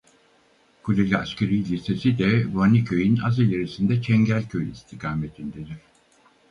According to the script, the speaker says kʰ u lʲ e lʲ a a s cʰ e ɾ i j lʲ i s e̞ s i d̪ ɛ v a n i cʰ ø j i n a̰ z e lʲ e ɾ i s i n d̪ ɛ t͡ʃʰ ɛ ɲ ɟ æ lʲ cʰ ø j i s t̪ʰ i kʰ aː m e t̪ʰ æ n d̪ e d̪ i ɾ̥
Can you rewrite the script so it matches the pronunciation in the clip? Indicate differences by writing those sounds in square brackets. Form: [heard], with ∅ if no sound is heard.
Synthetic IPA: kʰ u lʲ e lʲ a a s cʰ e ɾ i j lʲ i s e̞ s i d̪ ɛ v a n i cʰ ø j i n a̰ z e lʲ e ɾ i s i n d̪ ɛ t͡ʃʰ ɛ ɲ ɟ æ lʲ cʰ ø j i s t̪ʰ i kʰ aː m e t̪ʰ [i] n d̪ e d̪ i ɾ̥

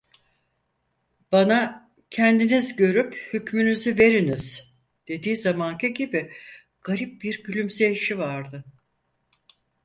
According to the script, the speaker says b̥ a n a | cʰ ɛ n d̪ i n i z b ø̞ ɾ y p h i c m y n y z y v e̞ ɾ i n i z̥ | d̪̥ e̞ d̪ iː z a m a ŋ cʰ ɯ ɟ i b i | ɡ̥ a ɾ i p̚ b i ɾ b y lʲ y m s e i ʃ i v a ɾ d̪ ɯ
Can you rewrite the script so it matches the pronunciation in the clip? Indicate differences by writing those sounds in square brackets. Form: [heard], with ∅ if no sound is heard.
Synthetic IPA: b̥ a n a | cʰ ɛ n d̪ i n i z [ɟ] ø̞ ɾ y p h [y] c m y n y z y v e̞ ɾ i n i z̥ | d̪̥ e̞ d̪ iː z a m a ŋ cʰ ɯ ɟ i b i | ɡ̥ a ɾ i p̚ b i ɾ [ɟ] y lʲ y m s e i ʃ i v a ɾ d̪ ɯ

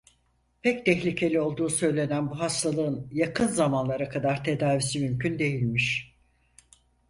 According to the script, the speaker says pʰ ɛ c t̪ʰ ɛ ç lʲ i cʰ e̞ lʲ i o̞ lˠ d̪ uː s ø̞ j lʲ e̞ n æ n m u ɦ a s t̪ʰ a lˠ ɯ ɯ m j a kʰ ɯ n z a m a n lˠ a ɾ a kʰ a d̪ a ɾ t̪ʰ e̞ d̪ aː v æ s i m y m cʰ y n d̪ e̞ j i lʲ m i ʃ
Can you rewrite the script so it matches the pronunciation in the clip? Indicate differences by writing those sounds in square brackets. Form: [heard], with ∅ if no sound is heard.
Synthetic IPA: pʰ ɛ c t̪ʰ ɛ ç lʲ i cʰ e̞ lʲ i o̞ lˠ d̪ uː s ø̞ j lʲ e̞ n æ n [b] u ɦ a s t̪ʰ a lˠ ɯ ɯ [n] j a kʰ ɯ n z a m a n lˠ a ɾ a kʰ a d̪ a ɾ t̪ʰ e̞ d̪ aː v [i] s i m y m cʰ y n d̪ e̞ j i lʲ m i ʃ

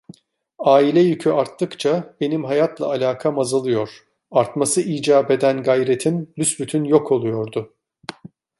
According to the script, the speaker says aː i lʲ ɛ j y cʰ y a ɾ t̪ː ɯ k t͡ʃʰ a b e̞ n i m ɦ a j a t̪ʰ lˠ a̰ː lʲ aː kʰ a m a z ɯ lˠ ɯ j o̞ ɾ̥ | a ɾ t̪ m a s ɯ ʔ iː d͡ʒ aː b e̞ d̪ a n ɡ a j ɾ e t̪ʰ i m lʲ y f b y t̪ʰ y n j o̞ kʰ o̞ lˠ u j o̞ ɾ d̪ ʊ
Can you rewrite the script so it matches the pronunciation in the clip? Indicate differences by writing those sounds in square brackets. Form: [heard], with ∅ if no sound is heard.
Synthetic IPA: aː i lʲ ɛ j y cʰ y a ɾ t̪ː ɯ k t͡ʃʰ a b e̞ n i m ɦ a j a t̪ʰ lˠ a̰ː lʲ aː kʰ a m a z ɯ lˠ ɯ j o̞ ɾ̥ | a ɾ t̪ m a s ɯ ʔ iː d͡ʒ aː b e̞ d̪ [æ] n ɡ a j ɾ e t̪ʰ i m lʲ y [s] b y t̪ʰ y n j o̞ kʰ o̞ lˠ u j o̞ ɾ d̪ ʊ

